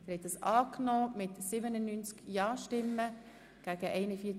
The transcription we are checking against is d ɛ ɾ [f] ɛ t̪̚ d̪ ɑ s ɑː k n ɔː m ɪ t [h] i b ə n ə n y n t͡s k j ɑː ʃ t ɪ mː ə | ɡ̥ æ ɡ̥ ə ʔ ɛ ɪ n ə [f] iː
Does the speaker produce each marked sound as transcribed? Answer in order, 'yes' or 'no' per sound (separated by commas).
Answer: no, no, yes